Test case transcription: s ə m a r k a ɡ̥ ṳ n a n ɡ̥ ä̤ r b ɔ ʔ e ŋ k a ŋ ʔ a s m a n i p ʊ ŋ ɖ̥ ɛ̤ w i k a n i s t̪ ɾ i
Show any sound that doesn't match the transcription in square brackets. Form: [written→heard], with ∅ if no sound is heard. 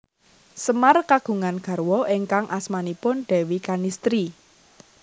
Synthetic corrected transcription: s ə m a r k a ɡ̥ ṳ [n→ŋ] a n ɡ̥ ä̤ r [b→w] ɔ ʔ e ŋ k a ŋ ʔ a s m a n i p ʊ [ŋ→n] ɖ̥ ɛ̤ w i k a n i s t̪ ɾ i